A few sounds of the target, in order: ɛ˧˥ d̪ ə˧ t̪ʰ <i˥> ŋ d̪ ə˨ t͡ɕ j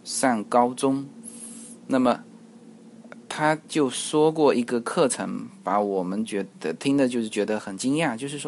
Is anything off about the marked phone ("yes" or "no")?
no